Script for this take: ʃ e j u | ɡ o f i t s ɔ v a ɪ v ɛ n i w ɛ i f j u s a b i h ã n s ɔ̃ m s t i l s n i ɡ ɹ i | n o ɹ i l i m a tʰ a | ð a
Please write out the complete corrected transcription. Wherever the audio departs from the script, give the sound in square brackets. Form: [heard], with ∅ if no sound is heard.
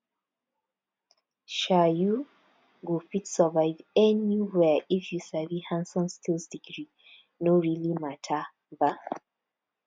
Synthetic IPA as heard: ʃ [a] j u | ɡ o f i t s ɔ v a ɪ v ɛ n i w ɛ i f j u s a [v] i h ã n s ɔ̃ [n] s t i l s [d] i ɡ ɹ i | n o ɹ i l i m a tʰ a | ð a